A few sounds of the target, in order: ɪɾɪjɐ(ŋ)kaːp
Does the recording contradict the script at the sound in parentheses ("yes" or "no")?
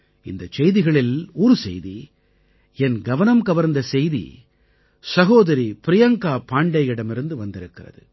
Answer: no